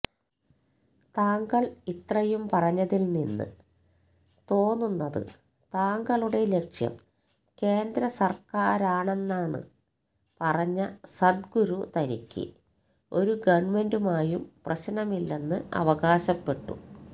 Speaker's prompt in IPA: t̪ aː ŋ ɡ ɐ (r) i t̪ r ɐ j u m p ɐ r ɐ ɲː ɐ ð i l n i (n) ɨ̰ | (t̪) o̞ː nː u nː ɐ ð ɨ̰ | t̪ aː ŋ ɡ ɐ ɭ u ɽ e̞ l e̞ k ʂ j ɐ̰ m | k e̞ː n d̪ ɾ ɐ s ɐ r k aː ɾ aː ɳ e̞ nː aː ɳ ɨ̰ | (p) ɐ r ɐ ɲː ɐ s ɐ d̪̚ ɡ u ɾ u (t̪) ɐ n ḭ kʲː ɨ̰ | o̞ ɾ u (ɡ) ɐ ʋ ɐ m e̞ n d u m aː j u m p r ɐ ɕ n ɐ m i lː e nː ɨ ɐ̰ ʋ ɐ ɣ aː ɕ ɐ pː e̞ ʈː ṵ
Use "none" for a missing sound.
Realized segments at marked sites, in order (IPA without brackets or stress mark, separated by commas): ɭ, nː, t̪, p, t̪, ɡ